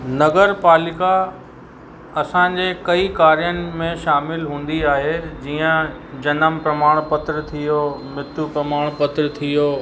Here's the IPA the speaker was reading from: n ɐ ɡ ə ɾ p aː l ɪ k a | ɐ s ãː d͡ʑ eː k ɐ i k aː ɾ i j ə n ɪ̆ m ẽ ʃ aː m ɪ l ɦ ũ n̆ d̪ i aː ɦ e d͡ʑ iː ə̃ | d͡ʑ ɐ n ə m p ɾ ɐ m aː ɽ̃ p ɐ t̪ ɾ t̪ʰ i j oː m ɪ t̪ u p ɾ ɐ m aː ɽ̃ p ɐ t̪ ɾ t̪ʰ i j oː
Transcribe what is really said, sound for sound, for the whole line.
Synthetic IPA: n ɐ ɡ ə ɾ p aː l ɪ k a | ɐ s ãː d͡ʑ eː k ɐ i k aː ɾ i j ə n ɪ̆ m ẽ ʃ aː m ɪ l ɦ ũː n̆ d̪ i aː ɦ e d͡ʑ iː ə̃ | d͡ʑ ɐ n ə m p ɾ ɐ m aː ɽ̃ p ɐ t̪ ɾ t̪ʰ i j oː m ɪ t̪ u p ɾ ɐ m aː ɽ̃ p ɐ t̪ ɾ t̪ʰ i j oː